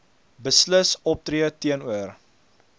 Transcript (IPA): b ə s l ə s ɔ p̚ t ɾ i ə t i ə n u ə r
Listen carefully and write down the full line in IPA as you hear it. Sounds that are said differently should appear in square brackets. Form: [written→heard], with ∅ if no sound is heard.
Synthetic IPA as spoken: b ə s l ə s ɔ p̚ t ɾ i ə t i ə n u ə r